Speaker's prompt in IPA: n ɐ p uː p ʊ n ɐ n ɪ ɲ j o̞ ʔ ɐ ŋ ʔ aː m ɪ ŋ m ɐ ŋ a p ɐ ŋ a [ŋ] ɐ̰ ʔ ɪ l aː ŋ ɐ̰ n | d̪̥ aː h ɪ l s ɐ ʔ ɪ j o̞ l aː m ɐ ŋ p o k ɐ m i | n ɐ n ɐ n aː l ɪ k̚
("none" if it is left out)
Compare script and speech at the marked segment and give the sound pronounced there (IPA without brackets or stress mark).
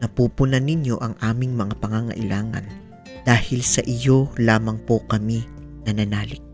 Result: ŋ